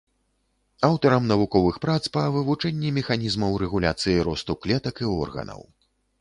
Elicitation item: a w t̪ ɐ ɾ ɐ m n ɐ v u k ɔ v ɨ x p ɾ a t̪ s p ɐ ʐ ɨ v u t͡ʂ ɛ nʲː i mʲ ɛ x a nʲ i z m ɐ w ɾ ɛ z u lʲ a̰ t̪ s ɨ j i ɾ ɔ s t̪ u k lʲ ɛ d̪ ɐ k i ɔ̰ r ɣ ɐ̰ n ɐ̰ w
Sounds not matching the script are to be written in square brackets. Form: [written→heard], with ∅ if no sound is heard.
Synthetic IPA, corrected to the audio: a w t̪ ɐ ɾ ɐ m n ɐ v u k ɔ v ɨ x p ɾ a t̪ s p ɐ [ʐ→v] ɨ v u t͡ʂ ɛ nʲː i mʲ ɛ x a nʲ i z m ɐ w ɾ ɛ [z→ɣ] u lʲ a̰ t̪ s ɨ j i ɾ ɔ s t̪ u k lʲ ɛ [d̪→t̪] ɐ k i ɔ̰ r ɣ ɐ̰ n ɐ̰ w